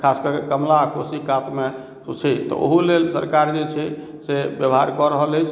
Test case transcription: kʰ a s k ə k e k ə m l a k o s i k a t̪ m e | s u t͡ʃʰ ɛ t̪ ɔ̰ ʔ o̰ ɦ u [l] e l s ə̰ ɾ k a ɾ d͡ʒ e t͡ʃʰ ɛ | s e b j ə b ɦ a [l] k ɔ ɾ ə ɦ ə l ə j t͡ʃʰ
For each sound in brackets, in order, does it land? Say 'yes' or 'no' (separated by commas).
yes, no